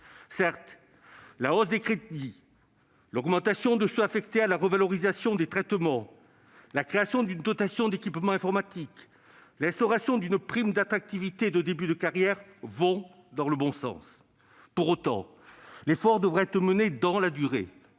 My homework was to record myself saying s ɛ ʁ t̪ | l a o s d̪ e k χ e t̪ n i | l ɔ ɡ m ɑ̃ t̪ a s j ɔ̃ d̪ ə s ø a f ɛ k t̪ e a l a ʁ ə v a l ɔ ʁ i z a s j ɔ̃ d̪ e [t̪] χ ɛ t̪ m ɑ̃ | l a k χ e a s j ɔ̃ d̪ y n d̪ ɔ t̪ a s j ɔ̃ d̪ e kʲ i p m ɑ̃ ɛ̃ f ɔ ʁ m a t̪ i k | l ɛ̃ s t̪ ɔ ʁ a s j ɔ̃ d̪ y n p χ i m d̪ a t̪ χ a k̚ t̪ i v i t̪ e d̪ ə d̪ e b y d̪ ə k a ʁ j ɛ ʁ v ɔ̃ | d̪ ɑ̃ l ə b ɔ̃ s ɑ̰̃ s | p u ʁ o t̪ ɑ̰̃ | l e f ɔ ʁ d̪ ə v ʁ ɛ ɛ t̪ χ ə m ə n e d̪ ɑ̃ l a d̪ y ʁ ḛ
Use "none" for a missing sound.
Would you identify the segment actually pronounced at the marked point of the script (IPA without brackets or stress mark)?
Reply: t̪